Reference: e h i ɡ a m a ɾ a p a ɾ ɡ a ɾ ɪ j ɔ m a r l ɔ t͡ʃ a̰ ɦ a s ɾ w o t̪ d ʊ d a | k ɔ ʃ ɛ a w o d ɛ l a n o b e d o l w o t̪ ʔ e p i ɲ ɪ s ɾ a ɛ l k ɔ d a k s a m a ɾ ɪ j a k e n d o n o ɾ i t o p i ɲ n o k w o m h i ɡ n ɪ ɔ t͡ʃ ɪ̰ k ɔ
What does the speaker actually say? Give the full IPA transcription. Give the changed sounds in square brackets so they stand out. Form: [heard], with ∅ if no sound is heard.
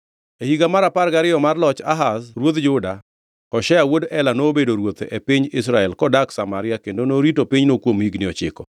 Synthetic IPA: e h i ɡ a m a ɾ a p a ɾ ɡ a ɾ ɪ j ɔ m a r l ɔ t͡ʃ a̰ ɦ a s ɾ w o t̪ [d͡ʒ] ʊ d a | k ɔ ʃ ɛ a w o d ɛ l a n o b e d o [ɾ] w o t̪ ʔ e p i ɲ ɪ s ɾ a ɛ l k ɔ d a k s a m a ɾ ɪ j a k e n d o n o ɾ i t o p i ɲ n o k w o m h i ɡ n ɪ ɔ t͡ʃ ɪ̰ k ɔ